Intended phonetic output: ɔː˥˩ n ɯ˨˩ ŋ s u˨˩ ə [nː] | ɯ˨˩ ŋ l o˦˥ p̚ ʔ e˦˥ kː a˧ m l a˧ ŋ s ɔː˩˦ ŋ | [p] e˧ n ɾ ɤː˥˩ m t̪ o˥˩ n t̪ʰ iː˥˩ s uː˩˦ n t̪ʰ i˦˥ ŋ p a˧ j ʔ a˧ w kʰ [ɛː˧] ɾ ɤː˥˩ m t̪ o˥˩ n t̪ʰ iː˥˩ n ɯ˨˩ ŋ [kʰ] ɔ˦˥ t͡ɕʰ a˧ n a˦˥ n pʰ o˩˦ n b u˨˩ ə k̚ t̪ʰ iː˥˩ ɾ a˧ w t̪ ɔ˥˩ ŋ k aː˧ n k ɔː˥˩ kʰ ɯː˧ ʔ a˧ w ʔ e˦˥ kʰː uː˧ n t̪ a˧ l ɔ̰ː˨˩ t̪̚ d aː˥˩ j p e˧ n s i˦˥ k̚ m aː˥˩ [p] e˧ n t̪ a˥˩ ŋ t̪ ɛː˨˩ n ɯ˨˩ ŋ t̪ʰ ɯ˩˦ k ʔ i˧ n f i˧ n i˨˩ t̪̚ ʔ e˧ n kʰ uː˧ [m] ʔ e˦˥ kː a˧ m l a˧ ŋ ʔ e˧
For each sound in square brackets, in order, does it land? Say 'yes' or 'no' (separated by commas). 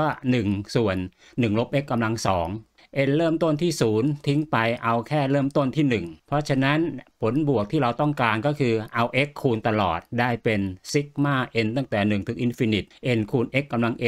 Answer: yes, no, no, no, no, no